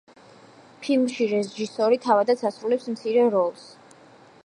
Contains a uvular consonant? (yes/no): no